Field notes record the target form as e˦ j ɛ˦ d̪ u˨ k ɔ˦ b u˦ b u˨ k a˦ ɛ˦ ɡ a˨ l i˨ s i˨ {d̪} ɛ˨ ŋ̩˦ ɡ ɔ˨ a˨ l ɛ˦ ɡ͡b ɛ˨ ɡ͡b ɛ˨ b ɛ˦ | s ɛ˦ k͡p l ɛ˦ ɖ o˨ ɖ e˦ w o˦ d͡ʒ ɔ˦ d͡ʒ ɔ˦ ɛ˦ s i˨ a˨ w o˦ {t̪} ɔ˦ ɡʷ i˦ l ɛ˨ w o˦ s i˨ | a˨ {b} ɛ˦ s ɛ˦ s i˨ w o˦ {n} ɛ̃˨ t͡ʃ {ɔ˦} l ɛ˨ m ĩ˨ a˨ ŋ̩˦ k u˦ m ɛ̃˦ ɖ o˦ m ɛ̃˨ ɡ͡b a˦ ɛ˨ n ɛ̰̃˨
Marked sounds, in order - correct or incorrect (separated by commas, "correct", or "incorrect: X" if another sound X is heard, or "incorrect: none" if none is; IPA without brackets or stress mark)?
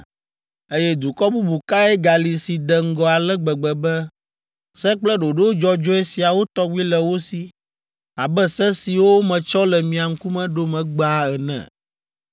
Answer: correct, correct, correct, incorrect: m, correct